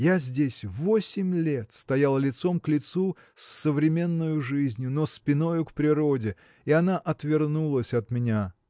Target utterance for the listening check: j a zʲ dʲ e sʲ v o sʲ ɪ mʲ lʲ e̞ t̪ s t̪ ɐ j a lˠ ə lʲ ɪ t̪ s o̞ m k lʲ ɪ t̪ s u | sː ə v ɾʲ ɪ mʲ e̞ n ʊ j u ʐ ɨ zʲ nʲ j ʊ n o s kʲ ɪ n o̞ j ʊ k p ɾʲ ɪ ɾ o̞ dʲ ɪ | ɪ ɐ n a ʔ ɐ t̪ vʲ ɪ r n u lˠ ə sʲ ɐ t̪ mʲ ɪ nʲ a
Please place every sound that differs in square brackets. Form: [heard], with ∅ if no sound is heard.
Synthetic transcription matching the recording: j a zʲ dʲ e sʲ v o sʲ ɪ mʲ lʲ e̞ t̪ s t̪ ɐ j a lˠ ə lʲ ɪ t̪ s o̞ m k lʲ ɪ t̪ s u | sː ə v ɾʲ ɪ mʲ e̞ [nː] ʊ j [ʊ] ʐ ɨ zʲ nʲ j ʊ n o s [pʲ] ɪ n o̞ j ʊ k p ɾʲ ɪ ɾ o̞ dʲ ɪ | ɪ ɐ n a ʔ ɐ t̪ vʲ ɪ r n u lˠ ə sʲ ɐ t̪ mʲ ɪ nʲ a